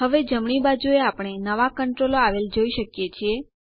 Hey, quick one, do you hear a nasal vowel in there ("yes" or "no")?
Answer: no